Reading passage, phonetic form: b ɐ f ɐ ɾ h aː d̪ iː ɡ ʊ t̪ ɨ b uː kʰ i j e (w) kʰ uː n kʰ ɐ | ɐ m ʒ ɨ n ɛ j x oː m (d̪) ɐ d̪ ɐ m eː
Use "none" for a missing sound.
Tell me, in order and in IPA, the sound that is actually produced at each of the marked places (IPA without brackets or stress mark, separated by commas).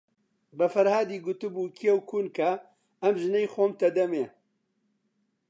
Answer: w, t̪